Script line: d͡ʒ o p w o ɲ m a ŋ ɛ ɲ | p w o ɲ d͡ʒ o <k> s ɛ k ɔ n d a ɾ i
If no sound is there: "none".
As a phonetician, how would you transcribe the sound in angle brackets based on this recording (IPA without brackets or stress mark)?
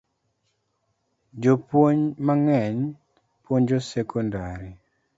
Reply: none